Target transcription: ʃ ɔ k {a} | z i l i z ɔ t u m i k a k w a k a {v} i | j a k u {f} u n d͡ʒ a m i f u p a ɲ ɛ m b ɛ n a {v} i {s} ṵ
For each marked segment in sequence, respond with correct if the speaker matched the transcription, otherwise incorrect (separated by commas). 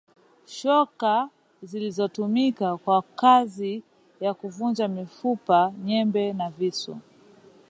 correct, incorrect, incorrect, correct, correct